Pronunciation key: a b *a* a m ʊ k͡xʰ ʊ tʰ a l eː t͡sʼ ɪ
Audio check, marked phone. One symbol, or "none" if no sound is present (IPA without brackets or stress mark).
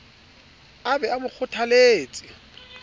ɛ